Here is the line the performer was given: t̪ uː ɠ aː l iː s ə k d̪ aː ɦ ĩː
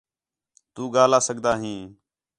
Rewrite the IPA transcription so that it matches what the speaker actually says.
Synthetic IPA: t̪ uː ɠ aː l aː s ə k d̪ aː ɦ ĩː